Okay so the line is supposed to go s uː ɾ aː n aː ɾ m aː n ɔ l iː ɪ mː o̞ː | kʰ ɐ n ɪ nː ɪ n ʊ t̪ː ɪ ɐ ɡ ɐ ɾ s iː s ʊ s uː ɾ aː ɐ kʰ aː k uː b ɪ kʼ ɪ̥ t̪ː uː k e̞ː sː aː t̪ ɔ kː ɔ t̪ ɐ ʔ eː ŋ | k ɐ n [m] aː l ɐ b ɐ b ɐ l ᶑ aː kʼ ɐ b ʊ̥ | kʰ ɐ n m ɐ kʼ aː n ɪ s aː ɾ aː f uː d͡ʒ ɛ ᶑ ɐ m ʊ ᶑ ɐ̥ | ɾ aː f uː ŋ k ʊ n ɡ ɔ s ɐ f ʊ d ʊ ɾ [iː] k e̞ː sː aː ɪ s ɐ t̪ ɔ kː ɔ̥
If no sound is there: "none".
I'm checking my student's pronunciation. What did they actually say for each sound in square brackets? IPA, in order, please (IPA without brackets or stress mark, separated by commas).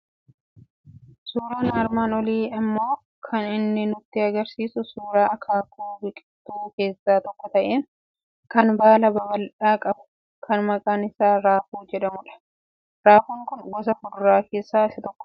b, aː